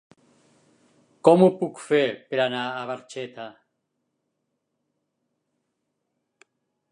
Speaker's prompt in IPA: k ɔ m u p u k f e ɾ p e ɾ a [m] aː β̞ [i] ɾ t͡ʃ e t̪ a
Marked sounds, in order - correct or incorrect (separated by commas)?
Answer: incorrect, incorrect